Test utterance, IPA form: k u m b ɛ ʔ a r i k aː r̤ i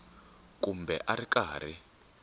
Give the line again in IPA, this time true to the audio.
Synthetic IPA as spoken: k u m b ɛ ʔ a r i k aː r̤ i